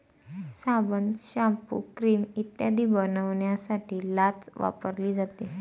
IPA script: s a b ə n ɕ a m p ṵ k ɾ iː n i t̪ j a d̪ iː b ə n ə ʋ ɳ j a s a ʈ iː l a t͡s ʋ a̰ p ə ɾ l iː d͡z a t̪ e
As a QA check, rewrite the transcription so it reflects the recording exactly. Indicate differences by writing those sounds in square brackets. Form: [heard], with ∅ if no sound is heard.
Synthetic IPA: s a b ə n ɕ a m p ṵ k ɾ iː [m] i t̪ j a d̪ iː b ə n ə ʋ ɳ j a s a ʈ iː l a t͡s ʋ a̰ p ə ɾ l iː d͡z a t̪ e